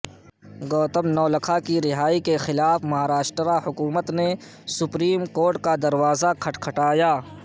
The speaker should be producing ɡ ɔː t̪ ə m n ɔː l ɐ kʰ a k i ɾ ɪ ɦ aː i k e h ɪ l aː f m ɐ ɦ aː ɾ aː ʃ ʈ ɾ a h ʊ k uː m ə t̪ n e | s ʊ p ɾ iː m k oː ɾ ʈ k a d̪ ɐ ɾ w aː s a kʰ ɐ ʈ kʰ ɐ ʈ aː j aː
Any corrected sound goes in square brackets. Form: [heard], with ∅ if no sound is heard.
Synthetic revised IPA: ɡ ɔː t̪ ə m n ɔː l ɐ kʰ a k i ɾ ɪ ɦ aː i k e [x] ɪ l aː f m ɐ ɦ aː ɾ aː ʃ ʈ ɾ a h ʊ k uː m ə t̪ n e | s ʊ p ɾ iː m k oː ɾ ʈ k a d̪ ɐ ɾ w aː [z] a kʰ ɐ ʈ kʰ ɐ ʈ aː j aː